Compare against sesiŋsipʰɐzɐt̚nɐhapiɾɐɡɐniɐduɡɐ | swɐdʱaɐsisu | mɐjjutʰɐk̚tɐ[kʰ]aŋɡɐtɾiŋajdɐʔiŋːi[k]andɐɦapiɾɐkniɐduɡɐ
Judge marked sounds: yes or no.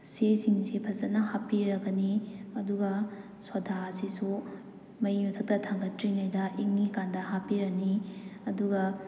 no, yes

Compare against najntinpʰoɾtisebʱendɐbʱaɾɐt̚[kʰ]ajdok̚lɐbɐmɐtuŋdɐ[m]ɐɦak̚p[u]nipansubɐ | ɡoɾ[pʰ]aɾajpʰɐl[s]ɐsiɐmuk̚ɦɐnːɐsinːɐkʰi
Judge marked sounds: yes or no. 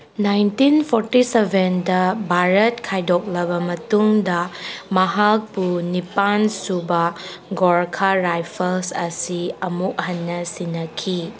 yes, yes, yes, no, yes

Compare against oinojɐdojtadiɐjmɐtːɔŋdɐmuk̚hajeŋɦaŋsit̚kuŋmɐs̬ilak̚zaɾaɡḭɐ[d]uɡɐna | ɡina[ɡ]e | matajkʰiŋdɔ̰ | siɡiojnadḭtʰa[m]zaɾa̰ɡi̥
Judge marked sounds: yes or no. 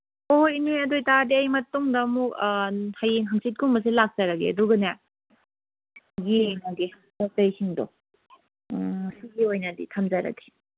yes, yes, yes

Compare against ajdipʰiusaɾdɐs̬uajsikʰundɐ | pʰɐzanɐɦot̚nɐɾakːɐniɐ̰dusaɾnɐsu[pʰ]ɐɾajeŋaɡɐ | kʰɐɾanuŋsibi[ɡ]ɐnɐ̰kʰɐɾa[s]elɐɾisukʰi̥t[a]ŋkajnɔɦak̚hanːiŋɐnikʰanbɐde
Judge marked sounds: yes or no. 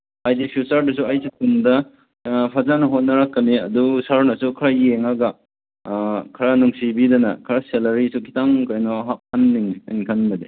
no, no, yes, yes

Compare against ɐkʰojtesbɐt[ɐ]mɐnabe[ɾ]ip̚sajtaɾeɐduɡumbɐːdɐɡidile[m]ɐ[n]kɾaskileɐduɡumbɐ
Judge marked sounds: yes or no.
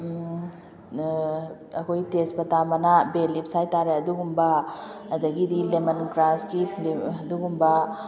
no, no, yes, yes

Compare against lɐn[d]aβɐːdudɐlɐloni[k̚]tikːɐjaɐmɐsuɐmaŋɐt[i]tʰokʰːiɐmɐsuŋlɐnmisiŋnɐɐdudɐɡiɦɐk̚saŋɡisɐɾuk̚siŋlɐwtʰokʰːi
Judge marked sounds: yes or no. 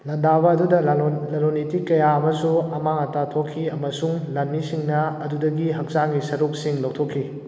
yes, no, no

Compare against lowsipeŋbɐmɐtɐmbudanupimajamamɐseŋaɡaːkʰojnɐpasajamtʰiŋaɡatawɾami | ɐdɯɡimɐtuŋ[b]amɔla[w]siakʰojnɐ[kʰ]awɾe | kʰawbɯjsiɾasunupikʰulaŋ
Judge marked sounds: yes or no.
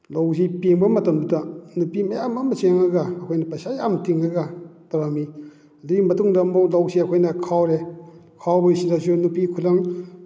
no, yes, yes

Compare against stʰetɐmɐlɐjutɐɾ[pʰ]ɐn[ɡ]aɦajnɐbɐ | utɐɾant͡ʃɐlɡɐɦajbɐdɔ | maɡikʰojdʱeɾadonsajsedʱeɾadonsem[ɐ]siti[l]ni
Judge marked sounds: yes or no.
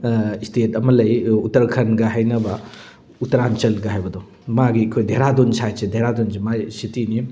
no, yes, no, no

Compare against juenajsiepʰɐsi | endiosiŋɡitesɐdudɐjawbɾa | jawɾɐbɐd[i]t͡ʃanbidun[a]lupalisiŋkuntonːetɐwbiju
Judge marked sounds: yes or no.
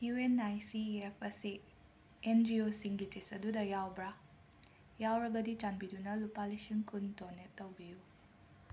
yes, no

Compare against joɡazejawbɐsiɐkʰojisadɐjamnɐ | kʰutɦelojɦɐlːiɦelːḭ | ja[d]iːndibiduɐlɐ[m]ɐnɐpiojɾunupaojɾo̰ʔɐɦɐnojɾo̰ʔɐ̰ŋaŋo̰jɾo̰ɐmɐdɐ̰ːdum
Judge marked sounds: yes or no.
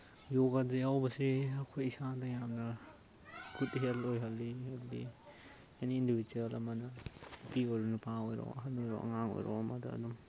no, yes

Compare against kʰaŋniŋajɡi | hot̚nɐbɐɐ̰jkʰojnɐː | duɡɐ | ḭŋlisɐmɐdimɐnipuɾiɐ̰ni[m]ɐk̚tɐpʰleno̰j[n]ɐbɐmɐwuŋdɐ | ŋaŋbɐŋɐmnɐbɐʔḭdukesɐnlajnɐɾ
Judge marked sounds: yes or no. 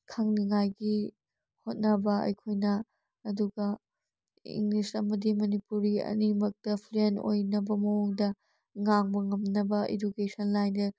yes, yes

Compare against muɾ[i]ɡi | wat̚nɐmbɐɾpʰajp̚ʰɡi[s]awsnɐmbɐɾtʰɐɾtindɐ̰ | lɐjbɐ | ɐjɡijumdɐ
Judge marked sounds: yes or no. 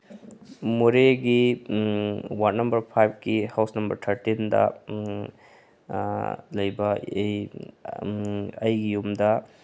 no, no

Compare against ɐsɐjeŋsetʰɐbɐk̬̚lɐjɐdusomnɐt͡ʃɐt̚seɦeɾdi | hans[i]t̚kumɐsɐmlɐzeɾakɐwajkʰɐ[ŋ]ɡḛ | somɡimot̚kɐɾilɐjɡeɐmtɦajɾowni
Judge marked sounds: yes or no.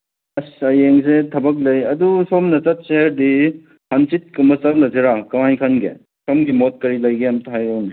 yes, no

